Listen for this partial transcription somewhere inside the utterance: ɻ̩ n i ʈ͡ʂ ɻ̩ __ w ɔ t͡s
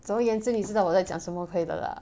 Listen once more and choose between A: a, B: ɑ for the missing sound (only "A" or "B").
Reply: B